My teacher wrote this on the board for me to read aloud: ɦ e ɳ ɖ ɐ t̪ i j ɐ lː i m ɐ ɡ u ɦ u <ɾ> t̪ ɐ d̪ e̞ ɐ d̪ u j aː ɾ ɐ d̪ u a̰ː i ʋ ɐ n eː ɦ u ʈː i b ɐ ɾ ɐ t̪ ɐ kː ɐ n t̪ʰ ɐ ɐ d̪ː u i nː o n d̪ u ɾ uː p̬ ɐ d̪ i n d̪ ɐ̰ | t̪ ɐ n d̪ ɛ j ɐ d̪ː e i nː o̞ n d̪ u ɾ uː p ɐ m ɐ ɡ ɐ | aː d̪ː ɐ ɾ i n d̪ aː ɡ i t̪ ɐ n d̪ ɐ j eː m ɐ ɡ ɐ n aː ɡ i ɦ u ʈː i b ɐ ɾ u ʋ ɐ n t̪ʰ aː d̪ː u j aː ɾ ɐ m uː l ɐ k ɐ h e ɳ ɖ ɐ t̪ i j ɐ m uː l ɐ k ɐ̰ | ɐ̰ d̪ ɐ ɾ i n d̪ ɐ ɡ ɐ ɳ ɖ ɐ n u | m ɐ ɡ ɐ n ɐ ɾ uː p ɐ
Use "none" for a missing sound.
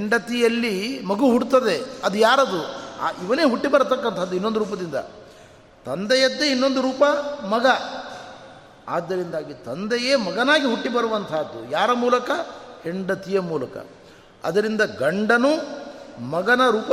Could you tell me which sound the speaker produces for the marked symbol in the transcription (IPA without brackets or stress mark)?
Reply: ɽ